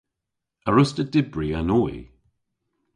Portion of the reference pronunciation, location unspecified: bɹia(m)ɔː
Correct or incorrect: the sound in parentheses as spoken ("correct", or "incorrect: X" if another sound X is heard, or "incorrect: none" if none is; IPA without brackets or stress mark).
incorrect: n